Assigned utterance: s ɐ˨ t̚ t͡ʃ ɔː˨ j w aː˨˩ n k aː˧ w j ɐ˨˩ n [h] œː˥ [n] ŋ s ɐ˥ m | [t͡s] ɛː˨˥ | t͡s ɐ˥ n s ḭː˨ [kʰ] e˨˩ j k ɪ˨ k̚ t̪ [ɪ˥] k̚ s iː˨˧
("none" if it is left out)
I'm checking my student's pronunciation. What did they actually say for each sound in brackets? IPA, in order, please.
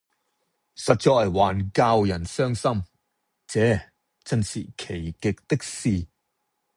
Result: s, none, t͡s, kʰ, ɪ˥

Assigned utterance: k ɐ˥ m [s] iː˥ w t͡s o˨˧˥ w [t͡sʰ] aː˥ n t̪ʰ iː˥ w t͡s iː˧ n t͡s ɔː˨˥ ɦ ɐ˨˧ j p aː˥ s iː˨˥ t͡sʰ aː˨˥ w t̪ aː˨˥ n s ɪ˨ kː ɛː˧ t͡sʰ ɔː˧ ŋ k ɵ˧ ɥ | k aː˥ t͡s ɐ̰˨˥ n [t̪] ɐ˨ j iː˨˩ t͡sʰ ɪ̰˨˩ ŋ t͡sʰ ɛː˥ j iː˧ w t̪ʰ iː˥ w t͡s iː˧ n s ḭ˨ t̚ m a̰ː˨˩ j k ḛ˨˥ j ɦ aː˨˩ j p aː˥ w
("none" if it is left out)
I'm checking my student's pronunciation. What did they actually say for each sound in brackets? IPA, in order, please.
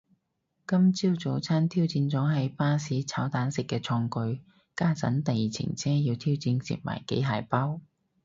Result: t͡s, t͡sʰ, t̪

